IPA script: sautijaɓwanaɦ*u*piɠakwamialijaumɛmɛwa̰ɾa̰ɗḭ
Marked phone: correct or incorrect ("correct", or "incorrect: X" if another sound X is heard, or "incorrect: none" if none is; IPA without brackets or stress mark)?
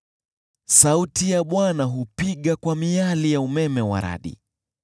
correct